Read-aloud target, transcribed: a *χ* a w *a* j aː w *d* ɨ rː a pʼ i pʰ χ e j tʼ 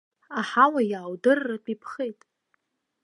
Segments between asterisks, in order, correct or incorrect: incorrect: ħ, correct, correct

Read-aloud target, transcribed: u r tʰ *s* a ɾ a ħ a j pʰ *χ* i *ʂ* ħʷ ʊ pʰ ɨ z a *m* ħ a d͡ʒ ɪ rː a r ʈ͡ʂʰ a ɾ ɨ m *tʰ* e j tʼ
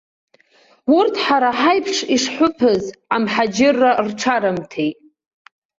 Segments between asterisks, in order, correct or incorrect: incorrect: ħ, incorrect: ʂ, correct, correct, correct

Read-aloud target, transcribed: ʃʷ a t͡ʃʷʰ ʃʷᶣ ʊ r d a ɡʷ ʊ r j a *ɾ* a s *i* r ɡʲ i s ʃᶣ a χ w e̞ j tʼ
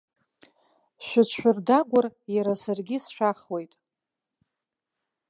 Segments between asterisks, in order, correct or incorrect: correct, incorrect: a

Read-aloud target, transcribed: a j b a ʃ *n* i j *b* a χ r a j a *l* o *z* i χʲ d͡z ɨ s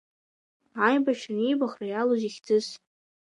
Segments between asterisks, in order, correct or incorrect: correct, correct, correct, correct

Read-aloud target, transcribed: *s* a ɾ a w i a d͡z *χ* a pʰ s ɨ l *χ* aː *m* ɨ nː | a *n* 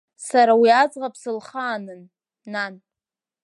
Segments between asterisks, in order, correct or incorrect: correct, incorrect: ʁ, correct, incorrect: n, correct

